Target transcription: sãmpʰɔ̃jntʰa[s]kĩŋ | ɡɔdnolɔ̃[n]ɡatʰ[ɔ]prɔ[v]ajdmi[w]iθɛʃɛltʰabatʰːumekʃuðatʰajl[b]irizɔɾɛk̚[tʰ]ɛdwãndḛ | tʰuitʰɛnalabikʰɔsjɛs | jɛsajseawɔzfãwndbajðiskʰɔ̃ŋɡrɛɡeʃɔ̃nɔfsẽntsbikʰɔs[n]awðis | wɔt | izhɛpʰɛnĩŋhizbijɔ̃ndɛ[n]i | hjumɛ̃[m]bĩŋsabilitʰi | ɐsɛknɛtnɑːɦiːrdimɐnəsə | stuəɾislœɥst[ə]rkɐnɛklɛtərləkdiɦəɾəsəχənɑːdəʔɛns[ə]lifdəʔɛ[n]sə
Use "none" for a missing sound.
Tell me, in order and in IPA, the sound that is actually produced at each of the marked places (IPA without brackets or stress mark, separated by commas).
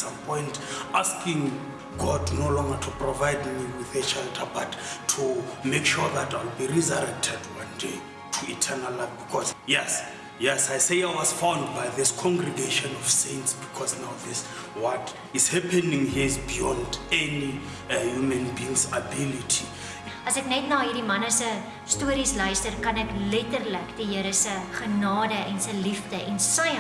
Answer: s, ŋ, u, v, w, b, tʰ, n, n, n, ə, ə, n